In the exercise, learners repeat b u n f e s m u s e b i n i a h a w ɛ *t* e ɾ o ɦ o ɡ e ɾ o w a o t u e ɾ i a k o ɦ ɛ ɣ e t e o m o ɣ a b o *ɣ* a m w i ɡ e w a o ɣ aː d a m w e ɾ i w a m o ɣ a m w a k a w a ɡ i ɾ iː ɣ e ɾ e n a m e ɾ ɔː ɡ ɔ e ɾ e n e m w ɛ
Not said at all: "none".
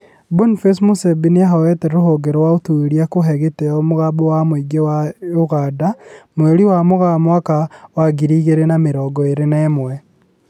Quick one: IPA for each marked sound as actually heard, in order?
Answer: t, w

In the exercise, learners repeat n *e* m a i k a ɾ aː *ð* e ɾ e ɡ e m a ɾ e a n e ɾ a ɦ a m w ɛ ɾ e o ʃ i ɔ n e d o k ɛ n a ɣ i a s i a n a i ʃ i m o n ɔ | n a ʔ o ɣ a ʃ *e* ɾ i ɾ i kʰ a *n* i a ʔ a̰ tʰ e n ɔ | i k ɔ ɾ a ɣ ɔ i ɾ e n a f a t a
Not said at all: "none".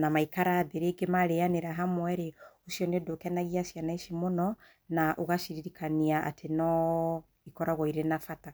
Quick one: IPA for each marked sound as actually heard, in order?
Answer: a, ð, i, n

